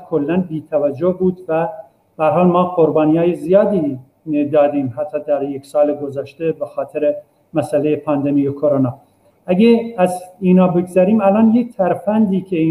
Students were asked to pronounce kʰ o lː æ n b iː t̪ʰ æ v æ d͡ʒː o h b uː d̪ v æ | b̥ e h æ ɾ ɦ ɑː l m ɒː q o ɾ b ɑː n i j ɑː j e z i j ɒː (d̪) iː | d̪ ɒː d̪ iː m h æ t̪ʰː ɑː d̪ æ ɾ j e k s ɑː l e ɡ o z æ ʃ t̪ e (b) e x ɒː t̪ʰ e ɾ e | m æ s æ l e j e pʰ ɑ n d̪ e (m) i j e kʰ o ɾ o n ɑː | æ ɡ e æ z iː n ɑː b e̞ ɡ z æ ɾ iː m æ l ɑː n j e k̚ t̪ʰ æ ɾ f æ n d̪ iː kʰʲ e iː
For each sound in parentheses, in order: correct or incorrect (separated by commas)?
correct, correct, correct